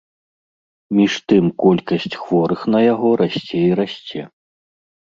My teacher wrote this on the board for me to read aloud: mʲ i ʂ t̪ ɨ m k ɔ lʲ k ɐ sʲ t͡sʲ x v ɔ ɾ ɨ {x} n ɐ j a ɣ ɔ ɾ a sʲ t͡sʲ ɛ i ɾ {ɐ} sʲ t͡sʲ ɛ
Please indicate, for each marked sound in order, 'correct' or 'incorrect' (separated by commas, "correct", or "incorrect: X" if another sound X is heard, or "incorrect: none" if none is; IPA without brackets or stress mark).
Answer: correct, incorrect: a